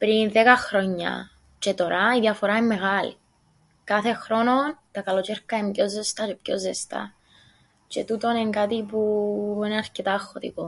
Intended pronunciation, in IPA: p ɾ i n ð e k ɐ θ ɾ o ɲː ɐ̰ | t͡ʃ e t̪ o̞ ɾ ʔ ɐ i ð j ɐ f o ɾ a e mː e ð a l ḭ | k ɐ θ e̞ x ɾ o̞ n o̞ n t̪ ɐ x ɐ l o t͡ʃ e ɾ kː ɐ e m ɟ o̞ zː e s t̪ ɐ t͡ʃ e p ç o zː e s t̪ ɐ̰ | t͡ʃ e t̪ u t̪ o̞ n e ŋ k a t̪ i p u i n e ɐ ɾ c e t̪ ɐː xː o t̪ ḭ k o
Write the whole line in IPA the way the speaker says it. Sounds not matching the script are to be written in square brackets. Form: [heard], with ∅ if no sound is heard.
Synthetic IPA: p ɾ i n ð e k ɐ [x] ɾ o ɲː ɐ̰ | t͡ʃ e t̪ o̞ ɾ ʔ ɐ i ð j ɐ f o ɾ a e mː e [ɣ] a l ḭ | k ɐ θ e̞ x ɾ o̞ n o̞ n t̪ ɐ [k] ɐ l o t͡ʃ e ɾ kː ɐ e m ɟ o̞ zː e s t̪ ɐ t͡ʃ e p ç o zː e s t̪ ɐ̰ | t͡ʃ e t̪ u t̪ o̞ n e ŋ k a t̪ i p u i n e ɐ ɾ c e t̪ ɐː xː o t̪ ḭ k o